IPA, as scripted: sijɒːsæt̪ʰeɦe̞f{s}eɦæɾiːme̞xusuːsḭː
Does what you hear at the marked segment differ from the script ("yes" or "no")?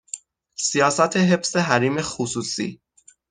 no